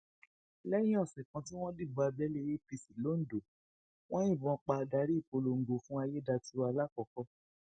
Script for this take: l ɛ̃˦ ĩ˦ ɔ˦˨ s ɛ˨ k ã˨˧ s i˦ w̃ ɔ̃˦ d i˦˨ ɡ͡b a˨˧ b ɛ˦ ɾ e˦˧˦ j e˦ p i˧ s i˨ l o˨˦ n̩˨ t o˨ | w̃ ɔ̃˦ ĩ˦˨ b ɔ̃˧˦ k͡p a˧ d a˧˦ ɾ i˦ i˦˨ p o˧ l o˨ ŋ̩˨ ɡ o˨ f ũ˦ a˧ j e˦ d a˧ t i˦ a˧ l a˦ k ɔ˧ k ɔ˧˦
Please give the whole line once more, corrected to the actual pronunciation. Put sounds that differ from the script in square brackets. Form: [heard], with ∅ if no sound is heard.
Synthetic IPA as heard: l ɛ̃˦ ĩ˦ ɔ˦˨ s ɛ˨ k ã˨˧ [t] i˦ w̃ ɔ̃˦ d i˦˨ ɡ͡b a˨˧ b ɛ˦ [l] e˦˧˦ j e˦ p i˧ s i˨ l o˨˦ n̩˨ [d] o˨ | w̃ ɔ̃˦ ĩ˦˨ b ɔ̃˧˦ k͡p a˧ d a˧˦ ɾ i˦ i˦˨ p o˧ l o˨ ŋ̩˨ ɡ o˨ f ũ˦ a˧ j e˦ d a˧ t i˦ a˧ l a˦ k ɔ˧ k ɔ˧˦